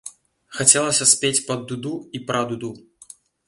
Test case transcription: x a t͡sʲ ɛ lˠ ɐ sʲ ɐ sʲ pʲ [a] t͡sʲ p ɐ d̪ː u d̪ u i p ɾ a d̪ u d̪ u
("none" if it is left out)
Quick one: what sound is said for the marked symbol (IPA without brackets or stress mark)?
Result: e